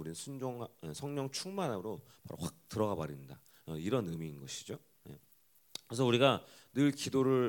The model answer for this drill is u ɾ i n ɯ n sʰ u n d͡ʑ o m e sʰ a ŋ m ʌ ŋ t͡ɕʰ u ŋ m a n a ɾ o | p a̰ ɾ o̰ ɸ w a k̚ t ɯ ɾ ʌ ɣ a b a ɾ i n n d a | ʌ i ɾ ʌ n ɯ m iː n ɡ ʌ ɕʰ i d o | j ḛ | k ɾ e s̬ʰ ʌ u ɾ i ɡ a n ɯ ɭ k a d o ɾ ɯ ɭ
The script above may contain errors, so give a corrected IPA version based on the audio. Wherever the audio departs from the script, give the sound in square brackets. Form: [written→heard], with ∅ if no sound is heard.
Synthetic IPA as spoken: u ɾ i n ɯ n sʰ u n d͡ʑ o [m→ŋ] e sʰ [a→ʌ] ŋ [m→ɲ] ʌ ŋ t͡ɕʰ u ŋ m a n a ɾ o | p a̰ ɾ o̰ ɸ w a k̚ t ɯ ɾ ʌ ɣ a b a ɾ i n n d a | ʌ i ɾ ʌ n ɯ m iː n ɡ ʌ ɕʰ i [d→d͡ʑ] o | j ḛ | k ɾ e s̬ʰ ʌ u ɾ i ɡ a n ɯ ɭ k [a→i] d o ɾ ɯ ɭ